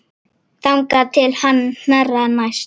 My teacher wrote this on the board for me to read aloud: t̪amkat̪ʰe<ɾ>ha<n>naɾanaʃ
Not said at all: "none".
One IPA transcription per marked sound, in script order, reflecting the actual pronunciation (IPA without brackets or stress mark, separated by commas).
l, n